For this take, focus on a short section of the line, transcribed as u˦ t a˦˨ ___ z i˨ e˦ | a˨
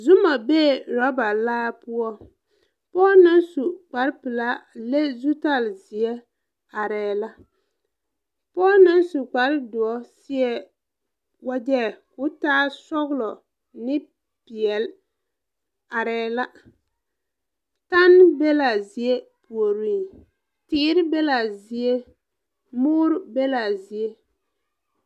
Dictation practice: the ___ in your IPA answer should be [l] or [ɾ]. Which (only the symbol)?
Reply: l